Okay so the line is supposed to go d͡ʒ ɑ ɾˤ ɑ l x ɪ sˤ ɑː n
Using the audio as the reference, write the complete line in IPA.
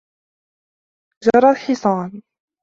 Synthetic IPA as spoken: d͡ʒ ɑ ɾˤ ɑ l ħ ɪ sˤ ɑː n

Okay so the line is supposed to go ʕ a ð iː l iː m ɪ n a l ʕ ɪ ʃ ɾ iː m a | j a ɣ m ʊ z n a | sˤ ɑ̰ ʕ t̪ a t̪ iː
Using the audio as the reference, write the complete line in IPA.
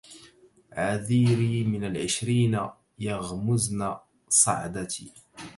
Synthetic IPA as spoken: ʕ a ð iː ɾ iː m ɪ n a l ʕ ɪ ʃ ɾ iː n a | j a ɣ m ʊ z n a | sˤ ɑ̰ ʕ d̪ a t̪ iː

